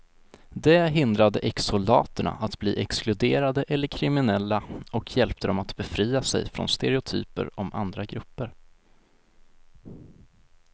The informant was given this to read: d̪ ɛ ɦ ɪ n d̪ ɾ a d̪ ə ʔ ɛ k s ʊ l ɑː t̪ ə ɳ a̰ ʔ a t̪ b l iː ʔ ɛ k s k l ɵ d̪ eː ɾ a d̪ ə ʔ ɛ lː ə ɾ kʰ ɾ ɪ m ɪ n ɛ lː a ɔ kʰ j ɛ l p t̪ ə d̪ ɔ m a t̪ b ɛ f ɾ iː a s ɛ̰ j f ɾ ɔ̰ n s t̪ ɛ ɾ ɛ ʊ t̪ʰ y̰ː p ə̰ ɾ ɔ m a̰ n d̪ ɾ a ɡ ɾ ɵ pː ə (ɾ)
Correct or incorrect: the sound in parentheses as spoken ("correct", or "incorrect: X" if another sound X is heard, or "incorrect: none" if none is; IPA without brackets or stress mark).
correct